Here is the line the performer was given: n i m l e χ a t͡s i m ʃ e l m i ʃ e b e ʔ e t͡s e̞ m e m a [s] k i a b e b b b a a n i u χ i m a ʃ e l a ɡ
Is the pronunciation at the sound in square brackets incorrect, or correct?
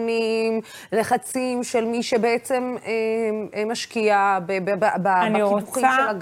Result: incorrect